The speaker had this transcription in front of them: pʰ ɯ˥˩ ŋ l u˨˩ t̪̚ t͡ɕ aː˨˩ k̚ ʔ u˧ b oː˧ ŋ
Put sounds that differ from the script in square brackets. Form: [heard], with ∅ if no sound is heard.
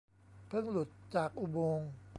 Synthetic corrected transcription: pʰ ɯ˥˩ ŋ l u˨˩ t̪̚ t͡ɕ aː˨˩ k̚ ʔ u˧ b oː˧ ŋ